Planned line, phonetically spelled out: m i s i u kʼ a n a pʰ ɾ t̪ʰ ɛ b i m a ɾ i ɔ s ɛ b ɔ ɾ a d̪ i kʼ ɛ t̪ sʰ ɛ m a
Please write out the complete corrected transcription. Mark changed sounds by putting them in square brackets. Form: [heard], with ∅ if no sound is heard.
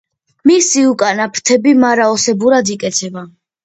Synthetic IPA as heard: m i s i u kʼ a n a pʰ ɾ t̪ʰ ɛ b i m a ɾ [a] ɔ s ɛ b [u] ɾ a d̪ i kʼ ɛ t̪ sʰ ɛ [b] a